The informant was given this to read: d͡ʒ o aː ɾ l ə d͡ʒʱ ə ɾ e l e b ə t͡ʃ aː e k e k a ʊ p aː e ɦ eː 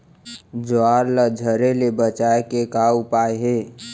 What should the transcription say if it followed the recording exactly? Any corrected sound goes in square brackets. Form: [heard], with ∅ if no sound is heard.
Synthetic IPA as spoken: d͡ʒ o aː ɾ l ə d͡ʒʱ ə ɾ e l e b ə t͡ʃ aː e k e k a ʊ p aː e ɦ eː